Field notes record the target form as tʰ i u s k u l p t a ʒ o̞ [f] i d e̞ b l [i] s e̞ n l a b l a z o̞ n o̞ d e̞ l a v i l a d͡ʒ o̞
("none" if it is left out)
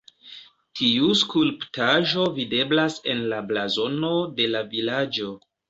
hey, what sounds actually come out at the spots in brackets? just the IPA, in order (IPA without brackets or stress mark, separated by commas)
v, a